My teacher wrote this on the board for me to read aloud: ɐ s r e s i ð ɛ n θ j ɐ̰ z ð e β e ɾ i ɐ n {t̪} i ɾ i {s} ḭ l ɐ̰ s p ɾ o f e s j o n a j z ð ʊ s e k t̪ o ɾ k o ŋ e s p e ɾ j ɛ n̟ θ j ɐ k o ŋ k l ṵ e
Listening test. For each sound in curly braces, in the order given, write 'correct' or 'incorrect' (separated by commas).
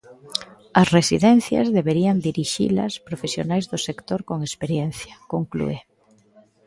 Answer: incorrect, incorrect